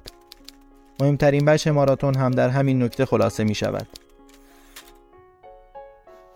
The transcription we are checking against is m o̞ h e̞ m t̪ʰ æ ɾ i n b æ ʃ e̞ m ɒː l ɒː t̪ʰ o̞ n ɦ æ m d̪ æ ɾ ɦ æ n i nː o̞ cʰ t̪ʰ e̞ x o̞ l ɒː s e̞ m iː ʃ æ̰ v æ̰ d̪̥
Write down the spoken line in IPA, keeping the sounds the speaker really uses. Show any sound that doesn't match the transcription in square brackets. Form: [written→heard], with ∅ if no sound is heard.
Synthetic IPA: m o̞ h e̞ m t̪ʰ æ ɾ i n b æ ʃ e̞ m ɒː [l→ɾ] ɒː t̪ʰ o̞ n ɦ æ m d̪ æ ɾ ɦ æ [n→m] i nː o̞ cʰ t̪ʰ e̞ x o̞ l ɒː s e̞ m iː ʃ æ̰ v æ̰ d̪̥